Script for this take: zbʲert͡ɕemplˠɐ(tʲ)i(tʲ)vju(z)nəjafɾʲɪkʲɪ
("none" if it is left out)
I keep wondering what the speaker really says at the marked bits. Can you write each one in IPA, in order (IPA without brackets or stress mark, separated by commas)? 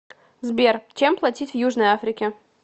tʲ, tʲ, ʐ